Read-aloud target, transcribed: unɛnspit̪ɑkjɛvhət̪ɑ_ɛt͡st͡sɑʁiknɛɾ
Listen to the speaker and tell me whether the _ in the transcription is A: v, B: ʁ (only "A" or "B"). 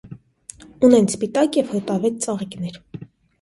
A